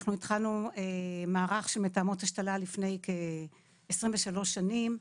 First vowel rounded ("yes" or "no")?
yes